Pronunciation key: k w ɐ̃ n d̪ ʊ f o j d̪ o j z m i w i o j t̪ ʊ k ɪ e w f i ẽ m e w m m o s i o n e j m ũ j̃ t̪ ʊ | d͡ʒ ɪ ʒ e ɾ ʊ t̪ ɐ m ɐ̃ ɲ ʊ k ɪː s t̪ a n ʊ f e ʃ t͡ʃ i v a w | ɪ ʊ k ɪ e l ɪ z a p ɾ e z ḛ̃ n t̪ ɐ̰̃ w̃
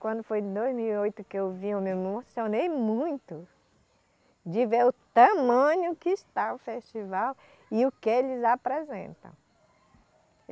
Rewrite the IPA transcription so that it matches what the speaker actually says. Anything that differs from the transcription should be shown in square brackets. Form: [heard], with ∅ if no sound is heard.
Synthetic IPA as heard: k w ɐ̃ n d̪ ʊ f o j d̪ o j z m i w i o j t̪ ʊ k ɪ e w [v] i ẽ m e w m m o s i o n e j m ũ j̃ t̪ ʊ | d͡ʒ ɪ [v] e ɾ ʊ t̪ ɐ m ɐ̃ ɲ ʊ k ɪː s t̪ a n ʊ f e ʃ t͡ʃ i v a w | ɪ ʊ k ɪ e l ɪ z a p ɾ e z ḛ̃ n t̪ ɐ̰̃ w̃